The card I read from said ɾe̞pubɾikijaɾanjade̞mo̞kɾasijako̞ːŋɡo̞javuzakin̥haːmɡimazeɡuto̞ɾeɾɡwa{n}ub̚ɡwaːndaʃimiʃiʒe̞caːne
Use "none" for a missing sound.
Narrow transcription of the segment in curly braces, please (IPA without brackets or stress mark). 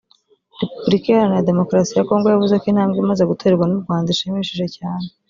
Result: n